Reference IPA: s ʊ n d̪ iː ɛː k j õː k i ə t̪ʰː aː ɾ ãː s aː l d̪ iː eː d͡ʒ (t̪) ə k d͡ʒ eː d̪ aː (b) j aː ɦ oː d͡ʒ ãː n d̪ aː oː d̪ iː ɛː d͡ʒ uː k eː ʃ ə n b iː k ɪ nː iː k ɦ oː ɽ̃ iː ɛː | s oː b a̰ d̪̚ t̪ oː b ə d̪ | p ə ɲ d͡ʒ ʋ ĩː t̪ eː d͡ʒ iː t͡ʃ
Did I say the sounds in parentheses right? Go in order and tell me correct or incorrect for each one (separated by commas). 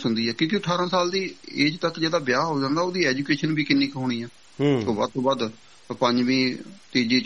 correct, correct